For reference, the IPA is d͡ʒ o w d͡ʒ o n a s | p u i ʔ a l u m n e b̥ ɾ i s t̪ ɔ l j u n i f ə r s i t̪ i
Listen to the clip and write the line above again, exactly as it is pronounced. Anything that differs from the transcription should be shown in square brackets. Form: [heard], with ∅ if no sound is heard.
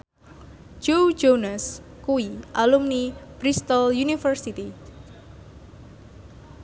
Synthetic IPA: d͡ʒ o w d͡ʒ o n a s | [k] u i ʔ a l u m n [i] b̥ ɾ i s t̪ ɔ l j u n i f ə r s i t̪ i